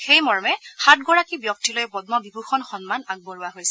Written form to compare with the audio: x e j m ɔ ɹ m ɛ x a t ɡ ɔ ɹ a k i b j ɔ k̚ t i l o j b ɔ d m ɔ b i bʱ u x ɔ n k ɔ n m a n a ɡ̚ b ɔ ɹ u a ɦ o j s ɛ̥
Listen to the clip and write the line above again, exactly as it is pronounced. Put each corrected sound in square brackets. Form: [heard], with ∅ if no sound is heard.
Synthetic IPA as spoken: x e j m ɔ ɹ m ɛ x a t ɡ ɔ ɹ a k i b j ɔ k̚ t i l o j b ɔ d m ɔ b i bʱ u x ɔ n [x] ɔ n m a n a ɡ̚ b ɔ ɹ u a ɦ o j s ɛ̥